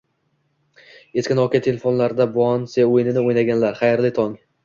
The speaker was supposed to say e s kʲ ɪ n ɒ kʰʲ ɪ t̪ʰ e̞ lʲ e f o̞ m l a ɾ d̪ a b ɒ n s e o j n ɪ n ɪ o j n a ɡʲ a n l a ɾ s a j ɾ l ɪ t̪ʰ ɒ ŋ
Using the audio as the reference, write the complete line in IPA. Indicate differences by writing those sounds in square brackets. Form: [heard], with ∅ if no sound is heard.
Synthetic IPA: e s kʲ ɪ n ɒ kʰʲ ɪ t̪ʰ e̞ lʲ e f o̞ [n] l a ɾ d̪ a b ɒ n s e o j n ɪ n ɪ o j n a ɡʲ a n l a ɾ [χ] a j ɾ l ɪ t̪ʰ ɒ ŋ